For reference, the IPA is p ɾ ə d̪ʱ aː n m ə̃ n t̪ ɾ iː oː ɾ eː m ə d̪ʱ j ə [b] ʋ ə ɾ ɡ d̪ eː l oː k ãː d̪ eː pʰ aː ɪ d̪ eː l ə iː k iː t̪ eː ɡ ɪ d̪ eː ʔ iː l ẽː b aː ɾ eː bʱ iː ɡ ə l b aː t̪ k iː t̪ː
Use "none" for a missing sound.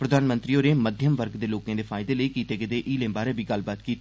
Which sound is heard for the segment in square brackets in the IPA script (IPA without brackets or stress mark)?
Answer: m